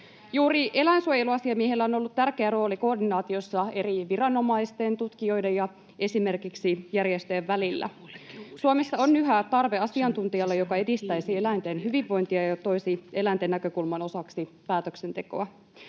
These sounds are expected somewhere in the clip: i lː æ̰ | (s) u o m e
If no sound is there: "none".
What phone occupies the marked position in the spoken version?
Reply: s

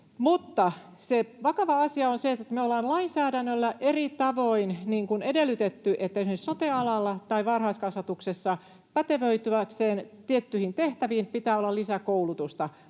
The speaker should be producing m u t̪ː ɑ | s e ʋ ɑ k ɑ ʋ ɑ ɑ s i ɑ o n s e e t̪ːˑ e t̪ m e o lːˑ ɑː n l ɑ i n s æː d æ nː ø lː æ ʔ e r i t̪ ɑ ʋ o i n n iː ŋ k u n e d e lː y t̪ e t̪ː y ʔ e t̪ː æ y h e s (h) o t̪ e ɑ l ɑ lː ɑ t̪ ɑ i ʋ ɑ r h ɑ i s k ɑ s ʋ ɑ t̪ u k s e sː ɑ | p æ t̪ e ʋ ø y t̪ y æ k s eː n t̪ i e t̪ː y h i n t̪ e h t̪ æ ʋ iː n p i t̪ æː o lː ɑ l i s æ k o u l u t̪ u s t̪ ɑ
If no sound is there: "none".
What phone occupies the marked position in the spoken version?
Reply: s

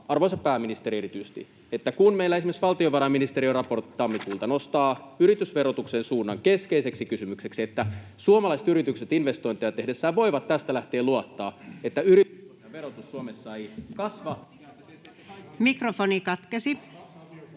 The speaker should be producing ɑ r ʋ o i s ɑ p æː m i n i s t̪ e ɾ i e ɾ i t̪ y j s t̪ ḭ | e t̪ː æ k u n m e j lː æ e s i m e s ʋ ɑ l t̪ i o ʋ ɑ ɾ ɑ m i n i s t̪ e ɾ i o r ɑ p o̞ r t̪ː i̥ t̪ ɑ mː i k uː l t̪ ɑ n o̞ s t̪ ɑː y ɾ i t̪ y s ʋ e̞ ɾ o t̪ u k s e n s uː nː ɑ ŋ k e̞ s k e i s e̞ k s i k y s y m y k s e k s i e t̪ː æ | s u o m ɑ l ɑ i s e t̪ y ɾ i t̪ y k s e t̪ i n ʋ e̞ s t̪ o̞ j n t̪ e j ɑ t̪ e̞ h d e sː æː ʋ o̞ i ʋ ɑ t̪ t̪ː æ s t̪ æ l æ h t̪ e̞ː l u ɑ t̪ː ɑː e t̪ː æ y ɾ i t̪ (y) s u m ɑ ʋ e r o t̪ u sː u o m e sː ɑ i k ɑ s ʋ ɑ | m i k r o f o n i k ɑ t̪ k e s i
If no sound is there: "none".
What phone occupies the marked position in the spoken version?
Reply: y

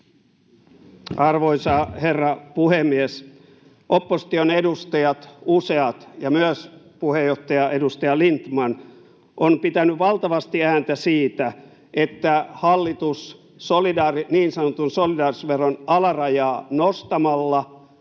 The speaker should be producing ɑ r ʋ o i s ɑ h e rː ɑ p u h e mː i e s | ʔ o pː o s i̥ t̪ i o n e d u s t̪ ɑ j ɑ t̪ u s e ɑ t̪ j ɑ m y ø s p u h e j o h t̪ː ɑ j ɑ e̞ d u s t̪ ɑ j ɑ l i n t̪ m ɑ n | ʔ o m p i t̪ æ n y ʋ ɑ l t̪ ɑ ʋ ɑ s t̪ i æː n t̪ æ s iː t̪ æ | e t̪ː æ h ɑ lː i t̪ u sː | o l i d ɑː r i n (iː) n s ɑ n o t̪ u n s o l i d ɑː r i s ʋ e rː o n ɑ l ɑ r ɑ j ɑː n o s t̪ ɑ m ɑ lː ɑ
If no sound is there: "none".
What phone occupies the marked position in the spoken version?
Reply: iː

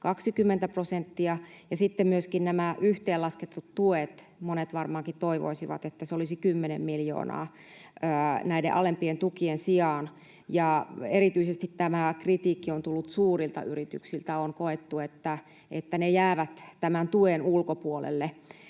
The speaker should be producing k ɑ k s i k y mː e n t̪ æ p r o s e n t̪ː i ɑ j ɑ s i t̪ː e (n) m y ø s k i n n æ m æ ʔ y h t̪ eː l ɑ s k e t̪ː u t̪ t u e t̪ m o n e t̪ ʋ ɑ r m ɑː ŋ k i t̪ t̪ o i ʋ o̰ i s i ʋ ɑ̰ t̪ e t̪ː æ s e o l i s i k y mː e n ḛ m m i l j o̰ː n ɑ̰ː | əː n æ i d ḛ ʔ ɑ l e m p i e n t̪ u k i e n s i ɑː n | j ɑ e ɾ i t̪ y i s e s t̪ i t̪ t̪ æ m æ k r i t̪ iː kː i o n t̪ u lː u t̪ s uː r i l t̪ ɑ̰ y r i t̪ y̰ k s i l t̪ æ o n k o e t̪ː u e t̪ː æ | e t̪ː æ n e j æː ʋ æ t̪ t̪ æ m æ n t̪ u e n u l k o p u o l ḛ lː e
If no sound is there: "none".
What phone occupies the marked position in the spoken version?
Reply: m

